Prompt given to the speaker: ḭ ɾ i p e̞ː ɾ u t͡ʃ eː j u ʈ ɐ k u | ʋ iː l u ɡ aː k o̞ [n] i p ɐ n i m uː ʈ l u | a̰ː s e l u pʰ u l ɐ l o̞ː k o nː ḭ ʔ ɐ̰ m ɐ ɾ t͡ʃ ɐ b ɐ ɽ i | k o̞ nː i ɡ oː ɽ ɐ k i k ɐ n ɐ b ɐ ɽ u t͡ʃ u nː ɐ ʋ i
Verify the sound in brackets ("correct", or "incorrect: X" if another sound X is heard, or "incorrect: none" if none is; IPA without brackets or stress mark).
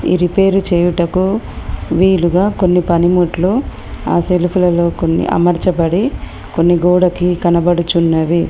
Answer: incorrect: nː